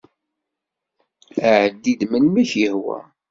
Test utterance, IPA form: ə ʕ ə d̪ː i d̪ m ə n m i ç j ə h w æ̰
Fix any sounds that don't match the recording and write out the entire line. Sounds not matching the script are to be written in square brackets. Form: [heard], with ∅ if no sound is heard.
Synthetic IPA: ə ʕ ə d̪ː i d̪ m ə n m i ç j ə h w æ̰